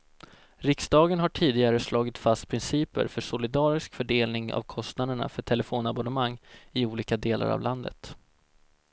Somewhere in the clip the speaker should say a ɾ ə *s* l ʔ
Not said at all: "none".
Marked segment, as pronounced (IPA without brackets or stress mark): s